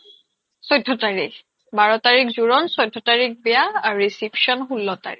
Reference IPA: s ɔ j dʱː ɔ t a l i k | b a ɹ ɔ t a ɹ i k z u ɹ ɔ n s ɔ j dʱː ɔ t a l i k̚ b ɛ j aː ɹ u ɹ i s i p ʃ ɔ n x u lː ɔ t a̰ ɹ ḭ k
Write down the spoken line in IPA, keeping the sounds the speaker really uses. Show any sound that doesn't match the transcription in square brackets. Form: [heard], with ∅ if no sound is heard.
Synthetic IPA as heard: s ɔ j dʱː ɔ t a [ɹ] i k | b a ɹ ɔ t a ɹ i k z u ɹ ɔ n s ɔ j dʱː ɔ t a [ɹ] i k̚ b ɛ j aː ɹ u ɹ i s i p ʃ ɔ n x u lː ɔ t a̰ ɹ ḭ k